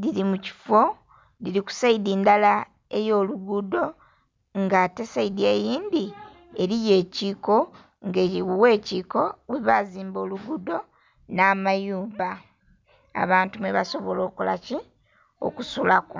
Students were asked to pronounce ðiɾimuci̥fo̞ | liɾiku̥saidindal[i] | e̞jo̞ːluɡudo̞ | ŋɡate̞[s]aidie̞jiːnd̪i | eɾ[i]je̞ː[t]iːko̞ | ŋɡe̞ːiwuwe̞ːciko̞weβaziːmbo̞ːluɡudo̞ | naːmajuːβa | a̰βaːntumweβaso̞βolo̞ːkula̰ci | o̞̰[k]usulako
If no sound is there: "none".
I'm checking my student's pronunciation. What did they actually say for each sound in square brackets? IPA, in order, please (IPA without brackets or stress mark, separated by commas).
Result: a, s, i, c, k